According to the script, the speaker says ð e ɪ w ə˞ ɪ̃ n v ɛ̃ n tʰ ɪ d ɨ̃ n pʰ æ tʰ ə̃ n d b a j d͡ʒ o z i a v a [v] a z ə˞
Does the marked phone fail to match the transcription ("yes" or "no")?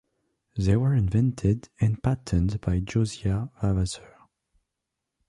no